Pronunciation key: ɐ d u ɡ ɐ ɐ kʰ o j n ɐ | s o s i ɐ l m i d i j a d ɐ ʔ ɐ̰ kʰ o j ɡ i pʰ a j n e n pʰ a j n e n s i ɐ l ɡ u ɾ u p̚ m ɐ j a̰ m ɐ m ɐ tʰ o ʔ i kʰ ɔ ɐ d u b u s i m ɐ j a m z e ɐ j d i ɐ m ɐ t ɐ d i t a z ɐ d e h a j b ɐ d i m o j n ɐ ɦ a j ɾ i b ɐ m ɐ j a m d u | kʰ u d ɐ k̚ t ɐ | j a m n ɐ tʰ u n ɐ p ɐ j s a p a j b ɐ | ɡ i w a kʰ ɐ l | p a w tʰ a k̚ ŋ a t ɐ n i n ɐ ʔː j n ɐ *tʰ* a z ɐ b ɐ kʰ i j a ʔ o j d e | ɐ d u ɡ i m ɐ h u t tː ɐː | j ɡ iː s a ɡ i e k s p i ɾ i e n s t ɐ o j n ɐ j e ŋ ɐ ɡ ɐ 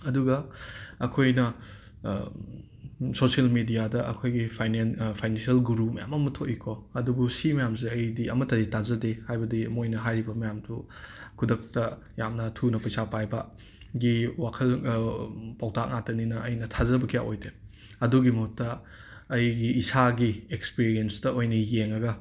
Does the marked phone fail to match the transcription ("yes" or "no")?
no